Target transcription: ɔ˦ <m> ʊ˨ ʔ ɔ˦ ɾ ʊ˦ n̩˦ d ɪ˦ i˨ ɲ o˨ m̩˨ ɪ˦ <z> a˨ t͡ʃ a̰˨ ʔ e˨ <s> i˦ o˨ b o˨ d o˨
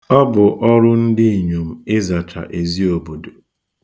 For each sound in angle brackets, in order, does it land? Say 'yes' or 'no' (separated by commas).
no, yes, no